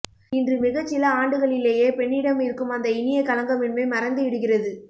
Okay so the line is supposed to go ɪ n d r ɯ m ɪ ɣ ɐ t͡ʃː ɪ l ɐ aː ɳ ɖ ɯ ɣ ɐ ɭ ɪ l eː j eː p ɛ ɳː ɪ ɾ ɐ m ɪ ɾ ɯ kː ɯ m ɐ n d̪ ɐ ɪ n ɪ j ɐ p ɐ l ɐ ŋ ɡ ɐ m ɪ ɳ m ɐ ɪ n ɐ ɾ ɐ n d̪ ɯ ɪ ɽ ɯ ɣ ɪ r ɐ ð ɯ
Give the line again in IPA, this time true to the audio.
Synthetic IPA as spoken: ɪ n d r ɯ m ɪ ɣ ɐ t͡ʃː ɪ l ɐ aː ɳ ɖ ɯ ɣ ɐ ɭ ɪ l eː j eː p ɛ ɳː ɪ ɽ ɐ m ɪ ɾ ɯ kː ɯ m ɐ n d̪ ɐ ɪ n ɪ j ɐ k ɐ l ɐ ŋ ɡ ɐ m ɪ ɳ m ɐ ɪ m ɐ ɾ ɐ n d̪ ɯ ɪ ɽ ɯ ɣ ɪ r ɐ ð ɯ